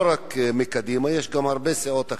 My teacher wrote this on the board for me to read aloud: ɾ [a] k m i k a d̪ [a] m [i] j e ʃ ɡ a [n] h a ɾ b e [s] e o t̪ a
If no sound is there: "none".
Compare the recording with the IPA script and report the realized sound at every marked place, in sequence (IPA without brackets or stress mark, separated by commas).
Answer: a, i, a, m, s